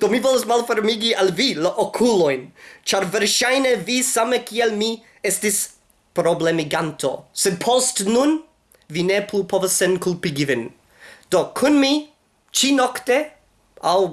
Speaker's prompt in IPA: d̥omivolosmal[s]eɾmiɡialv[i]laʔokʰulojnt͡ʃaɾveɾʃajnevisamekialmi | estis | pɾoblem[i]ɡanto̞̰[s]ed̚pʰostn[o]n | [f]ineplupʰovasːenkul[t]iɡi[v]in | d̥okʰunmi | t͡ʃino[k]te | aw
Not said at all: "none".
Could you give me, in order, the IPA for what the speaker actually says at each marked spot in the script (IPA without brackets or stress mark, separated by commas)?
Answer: f, i, i, s, u, v, p, v, k